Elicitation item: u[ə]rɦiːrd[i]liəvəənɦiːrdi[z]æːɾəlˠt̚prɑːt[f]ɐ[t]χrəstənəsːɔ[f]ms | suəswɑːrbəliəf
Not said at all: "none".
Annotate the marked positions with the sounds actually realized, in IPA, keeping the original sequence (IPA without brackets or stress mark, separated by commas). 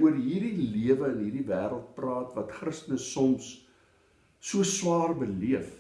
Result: ə, i, v, v, t, none